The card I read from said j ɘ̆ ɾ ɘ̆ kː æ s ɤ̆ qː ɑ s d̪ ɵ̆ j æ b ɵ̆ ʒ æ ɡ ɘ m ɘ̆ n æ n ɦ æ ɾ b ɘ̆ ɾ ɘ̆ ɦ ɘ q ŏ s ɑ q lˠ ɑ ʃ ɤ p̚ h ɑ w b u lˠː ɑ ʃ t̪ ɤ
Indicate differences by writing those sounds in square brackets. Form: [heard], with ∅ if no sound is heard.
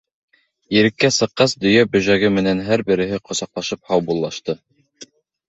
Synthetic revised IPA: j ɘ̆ ɾ ɘ̆ kː æ s ɤ̆ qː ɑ s d̪ ɵ̆ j æ b ɵ̆ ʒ æ ɡ ɘ m ɘ̆ n æ n ɦ æ ɾ b ɘ̆ ɾ ɘ̆ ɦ ɘ q ŏ s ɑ q lˠ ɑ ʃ ɤ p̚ h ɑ w b u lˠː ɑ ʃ t̪ ɤ